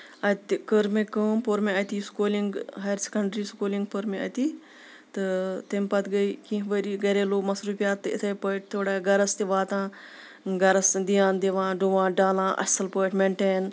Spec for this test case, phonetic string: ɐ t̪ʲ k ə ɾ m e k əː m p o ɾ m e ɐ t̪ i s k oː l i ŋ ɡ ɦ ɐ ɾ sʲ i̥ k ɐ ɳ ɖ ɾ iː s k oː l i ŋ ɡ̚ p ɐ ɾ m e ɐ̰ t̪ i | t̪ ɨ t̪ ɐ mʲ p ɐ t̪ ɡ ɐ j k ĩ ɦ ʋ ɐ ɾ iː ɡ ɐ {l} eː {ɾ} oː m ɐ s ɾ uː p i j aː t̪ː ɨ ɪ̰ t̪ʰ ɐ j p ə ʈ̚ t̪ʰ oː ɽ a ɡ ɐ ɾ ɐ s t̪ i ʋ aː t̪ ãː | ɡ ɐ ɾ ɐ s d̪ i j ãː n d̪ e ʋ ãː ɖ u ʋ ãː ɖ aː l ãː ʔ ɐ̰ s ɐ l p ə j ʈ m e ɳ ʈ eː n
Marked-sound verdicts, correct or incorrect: incorrect: ɾ, incorrect: l

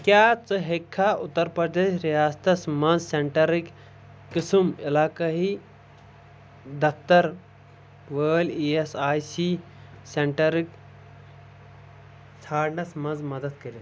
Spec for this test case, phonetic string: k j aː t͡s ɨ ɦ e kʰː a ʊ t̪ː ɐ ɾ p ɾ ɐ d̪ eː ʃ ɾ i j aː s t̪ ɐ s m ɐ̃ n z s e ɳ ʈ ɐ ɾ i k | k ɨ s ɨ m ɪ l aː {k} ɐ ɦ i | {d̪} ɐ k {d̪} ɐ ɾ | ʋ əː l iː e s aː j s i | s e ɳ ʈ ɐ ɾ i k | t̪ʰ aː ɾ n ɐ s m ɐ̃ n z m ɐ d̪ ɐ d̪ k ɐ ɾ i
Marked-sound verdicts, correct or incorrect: correct, correct, incorrect: t̪

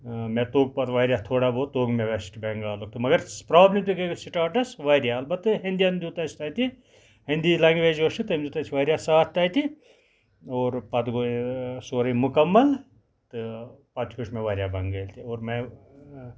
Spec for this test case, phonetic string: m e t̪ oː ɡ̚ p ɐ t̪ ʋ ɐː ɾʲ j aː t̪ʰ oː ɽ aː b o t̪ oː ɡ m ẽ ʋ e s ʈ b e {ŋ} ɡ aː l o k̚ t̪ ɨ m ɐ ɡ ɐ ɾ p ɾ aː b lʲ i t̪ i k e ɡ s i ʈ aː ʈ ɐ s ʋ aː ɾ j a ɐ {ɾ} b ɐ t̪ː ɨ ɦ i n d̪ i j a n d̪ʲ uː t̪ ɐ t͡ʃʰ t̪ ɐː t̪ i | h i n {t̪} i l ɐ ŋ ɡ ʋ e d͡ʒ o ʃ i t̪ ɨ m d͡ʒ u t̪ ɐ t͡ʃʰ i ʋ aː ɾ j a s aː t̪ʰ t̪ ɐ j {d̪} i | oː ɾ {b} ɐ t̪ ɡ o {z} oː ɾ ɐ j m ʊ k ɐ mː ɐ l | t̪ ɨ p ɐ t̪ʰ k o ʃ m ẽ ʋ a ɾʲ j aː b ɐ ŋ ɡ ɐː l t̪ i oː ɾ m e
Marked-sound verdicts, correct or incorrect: correct, incorrect: l, incorrect: d̪, incorrect: t̪, incorrect: p, incorrect: s

